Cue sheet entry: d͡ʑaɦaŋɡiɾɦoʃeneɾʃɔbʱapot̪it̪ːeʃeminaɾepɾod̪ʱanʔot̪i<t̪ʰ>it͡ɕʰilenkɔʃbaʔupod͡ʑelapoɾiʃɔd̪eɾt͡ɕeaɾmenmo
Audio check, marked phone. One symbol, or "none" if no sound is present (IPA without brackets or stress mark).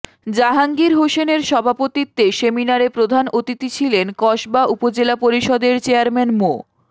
t̪